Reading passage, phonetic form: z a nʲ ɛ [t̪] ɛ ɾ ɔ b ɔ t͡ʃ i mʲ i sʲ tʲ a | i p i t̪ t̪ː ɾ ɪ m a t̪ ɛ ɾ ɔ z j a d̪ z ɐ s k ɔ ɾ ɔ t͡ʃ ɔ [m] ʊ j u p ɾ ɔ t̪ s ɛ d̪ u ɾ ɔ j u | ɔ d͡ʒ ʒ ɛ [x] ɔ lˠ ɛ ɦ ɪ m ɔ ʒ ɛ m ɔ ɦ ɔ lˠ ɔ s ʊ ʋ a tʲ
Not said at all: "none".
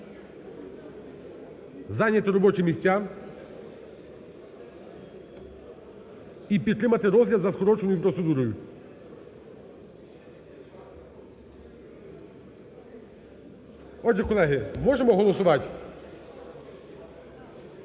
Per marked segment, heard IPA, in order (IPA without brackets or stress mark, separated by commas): t̪, n, k